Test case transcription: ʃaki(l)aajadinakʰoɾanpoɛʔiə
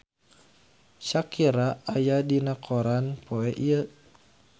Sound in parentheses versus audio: incorrect: ɾ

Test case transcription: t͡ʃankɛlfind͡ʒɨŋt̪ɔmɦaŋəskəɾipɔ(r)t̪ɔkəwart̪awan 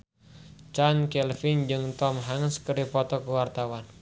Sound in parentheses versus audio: incorrect: none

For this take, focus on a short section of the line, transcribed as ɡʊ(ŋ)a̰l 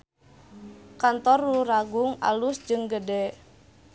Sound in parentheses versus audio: correct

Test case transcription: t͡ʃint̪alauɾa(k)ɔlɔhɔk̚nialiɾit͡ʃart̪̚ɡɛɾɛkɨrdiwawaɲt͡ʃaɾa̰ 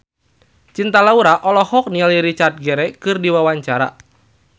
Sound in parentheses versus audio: incorrect: ʔ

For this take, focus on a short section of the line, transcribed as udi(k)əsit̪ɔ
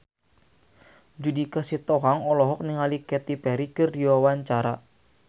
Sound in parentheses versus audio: correct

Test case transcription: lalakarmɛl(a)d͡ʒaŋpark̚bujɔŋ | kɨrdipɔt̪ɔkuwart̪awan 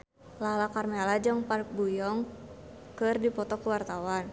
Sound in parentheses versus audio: correct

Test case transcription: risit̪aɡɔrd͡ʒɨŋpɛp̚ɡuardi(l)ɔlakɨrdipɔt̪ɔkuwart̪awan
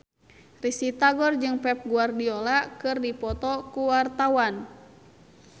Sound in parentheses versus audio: incorrect: none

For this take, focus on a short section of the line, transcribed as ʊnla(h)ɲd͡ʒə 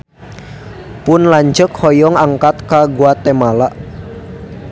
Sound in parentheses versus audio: incorrect: none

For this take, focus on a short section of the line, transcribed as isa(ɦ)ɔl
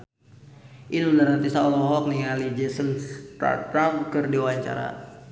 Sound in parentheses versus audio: incorrect: none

